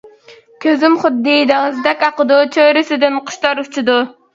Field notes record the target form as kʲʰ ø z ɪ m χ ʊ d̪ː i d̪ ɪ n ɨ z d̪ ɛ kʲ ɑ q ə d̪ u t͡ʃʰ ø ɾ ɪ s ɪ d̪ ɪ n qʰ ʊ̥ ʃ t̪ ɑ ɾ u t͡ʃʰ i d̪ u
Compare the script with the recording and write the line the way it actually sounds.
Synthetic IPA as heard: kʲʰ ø z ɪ m χ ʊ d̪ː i d̪ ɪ ŋ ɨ z d̪ ɛ kʲ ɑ q ə d̪ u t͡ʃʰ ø ɾ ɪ s ɪ d̪ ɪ n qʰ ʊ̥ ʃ t̪ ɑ ɾ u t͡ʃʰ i d̪ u